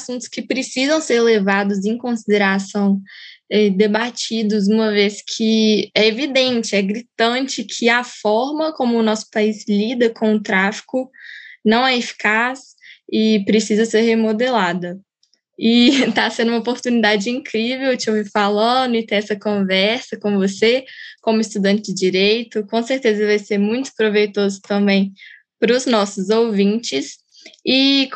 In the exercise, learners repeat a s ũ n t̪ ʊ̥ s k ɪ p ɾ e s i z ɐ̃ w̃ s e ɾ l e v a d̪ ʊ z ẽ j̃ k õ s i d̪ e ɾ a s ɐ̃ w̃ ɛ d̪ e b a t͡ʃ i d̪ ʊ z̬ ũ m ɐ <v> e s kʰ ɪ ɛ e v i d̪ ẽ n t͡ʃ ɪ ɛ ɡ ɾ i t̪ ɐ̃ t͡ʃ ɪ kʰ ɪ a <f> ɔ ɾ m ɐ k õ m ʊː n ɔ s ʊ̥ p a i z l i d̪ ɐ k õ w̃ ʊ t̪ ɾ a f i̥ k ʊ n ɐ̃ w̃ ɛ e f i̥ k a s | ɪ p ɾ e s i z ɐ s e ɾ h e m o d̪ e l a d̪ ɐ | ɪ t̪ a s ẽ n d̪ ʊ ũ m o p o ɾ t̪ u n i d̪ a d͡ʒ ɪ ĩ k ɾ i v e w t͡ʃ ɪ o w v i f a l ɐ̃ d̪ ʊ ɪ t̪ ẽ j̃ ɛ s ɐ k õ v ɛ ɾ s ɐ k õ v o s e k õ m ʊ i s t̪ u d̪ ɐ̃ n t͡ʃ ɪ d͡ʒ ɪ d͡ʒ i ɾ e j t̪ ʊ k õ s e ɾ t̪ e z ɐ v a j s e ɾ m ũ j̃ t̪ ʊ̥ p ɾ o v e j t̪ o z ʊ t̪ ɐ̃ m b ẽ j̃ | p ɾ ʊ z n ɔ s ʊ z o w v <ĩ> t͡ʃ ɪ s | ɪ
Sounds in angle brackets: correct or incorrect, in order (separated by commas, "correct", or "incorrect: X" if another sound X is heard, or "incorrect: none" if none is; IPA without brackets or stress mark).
correct, correct, correct